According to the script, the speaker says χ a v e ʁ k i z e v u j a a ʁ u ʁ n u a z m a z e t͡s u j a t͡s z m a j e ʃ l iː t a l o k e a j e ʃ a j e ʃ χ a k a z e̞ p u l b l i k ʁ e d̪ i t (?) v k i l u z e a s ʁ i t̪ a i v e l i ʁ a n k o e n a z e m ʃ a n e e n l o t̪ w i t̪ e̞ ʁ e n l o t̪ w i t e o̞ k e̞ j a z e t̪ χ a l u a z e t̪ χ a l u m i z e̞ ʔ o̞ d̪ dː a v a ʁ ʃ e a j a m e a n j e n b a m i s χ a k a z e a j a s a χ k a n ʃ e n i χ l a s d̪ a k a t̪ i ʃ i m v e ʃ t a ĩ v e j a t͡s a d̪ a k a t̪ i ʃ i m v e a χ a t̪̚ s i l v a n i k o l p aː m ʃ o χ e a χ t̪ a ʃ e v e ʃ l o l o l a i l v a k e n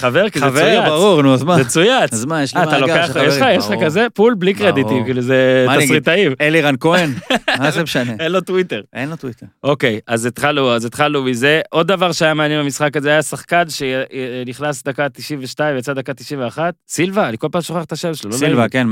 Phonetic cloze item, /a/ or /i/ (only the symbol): i